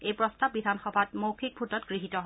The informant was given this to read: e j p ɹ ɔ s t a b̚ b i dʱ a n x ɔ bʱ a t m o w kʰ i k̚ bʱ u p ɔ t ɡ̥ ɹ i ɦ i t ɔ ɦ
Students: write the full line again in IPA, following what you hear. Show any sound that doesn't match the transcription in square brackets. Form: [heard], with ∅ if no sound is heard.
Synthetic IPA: e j p ɹ ɔ s t a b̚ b i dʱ a n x ɔ bʱ a t m o w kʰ i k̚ bʱ u [t] ɔ t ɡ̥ ɹ i ɦ i t ɔ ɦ